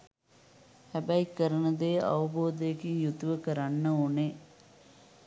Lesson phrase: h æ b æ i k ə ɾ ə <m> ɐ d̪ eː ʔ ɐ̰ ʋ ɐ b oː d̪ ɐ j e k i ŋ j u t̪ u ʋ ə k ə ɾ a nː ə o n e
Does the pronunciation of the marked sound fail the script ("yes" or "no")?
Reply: yes